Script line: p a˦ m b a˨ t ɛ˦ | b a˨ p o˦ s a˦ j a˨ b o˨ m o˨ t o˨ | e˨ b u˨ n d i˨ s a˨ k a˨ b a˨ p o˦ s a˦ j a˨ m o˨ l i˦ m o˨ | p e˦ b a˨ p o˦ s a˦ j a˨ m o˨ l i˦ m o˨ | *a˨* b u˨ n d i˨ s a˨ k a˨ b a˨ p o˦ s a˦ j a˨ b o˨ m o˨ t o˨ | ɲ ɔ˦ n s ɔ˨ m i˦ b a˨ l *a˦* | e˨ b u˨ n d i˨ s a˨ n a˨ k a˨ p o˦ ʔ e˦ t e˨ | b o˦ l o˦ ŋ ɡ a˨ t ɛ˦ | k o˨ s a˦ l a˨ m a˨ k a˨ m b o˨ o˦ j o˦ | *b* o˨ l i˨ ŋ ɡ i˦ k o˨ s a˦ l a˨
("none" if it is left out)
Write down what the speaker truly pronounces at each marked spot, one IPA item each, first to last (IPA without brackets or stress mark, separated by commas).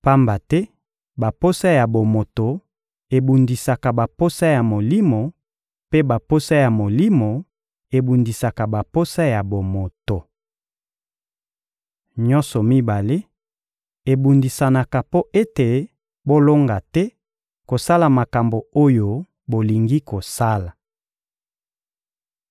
e˨, e˦, b